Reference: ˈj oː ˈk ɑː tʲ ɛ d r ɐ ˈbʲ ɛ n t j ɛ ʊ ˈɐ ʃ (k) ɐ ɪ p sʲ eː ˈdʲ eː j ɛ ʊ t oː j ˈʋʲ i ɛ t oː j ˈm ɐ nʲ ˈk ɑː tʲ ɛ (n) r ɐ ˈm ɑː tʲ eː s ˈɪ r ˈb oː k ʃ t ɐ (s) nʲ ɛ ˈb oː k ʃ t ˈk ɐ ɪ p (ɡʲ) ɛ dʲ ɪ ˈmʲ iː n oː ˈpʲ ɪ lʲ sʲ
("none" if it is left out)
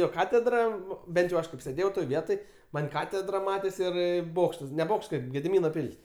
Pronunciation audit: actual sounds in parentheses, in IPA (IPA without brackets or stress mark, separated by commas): k, d, s, ɡʲ